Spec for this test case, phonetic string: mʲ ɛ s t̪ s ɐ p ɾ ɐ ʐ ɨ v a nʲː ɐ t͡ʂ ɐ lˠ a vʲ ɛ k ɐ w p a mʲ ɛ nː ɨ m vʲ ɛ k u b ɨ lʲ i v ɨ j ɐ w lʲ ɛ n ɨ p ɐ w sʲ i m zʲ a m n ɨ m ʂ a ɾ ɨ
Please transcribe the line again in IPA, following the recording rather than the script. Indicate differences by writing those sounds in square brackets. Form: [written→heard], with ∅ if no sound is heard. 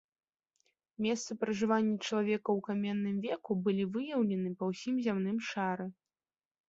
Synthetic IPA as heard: mʲ ɛ s t̪ s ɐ p ɾ ɐ ʐ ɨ v a nʲː ɐ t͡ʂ ɐ lˠ a vʲ ɛ k ɐ w [p→k] a mʲ ɛ nː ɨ m vʲ ɛ k u b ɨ lʲ i v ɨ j ɐ w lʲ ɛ n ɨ p ɐ w sʲ i m zʲ a m n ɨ m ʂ a ɾ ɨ